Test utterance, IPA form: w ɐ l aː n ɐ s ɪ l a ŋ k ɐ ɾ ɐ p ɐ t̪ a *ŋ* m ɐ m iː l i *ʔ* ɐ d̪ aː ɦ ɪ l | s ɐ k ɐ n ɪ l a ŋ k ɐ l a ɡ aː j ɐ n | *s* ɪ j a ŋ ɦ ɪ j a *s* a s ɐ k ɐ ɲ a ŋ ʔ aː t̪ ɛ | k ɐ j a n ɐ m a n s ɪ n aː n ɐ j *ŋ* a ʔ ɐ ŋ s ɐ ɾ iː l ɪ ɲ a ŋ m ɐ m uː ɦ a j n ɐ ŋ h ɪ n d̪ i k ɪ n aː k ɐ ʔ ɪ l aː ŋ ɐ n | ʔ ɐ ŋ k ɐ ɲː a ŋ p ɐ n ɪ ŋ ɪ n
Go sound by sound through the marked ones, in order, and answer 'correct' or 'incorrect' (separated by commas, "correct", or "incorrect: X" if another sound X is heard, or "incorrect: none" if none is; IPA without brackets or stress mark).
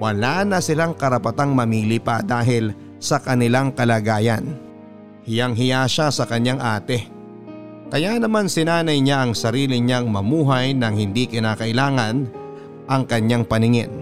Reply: correct, incorrect: p, incorrect: h, incorrect: ʃ, incorrect: ɲ